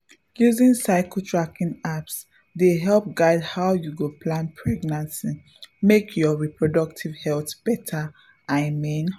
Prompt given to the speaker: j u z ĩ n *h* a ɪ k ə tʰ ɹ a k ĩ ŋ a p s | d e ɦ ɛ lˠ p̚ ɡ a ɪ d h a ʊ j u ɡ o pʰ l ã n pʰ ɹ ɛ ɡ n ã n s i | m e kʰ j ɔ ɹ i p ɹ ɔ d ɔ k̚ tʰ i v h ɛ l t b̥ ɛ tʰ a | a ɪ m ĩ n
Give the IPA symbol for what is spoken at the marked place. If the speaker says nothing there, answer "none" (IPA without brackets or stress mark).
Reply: s